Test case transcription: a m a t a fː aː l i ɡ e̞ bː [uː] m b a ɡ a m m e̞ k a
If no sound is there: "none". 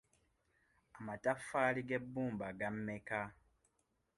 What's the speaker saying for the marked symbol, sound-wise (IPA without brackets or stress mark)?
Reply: uː